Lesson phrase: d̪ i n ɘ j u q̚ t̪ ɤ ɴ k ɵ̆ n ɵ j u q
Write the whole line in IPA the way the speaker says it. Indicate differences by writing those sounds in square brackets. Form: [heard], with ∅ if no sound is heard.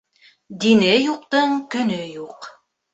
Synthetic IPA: d̪ i n ɘ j u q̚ t̪ ɤ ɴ k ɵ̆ n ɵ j u q